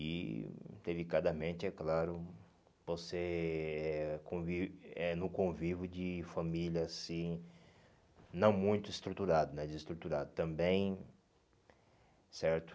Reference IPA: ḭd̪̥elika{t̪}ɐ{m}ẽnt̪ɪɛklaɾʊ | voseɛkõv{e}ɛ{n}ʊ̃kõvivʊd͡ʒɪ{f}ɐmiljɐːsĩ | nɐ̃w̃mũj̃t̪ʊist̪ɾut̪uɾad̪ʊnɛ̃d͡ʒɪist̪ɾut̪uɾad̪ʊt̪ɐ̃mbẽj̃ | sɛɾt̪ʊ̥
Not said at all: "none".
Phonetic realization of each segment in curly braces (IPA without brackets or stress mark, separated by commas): d̪, m, i, n, f